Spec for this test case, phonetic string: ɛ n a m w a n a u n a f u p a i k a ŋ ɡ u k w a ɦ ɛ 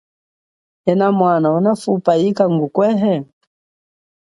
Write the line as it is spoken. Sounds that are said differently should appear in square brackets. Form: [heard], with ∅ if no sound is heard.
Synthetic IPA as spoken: ɛ n a m w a n a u n a f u p a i k a ŋ ɡ u k w [ɛ] ɦ ɛ